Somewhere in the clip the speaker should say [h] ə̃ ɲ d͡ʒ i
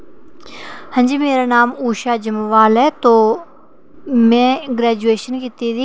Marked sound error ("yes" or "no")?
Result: no